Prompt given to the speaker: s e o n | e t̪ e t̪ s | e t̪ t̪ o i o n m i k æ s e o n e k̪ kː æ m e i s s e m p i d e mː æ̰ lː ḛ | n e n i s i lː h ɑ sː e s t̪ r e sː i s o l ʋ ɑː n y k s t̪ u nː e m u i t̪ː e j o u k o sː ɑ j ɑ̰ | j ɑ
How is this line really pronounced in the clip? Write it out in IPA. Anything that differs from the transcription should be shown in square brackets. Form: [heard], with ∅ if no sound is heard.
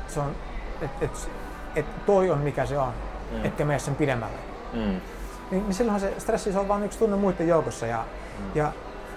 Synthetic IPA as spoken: s e o n | e t̪ e t̪ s | e t̪ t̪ o i o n m i k æ s e o n e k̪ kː æ m e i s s e m p i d e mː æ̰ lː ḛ | n [i] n i s i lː h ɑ [s] e s t̪ r e sː i s o l ʋ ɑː n y k s t̪ u nː e m u i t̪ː e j o u k o sː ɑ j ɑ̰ | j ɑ